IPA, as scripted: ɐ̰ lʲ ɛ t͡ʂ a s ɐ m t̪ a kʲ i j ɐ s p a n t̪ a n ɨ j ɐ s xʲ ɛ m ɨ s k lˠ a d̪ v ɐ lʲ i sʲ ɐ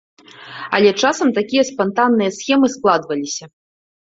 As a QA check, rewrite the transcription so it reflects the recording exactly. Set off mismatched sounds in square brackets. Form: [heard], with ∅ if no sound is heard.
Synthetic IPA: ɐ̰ lʲ ɛ t͡ʂ a s ɐ m t̪ a kʲ i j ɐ s p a n t̪ a [nː] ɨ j ɐ s xʲ ɛ m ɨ s k lˠ a d̪ v ɐ lʲ i sʲ ɐ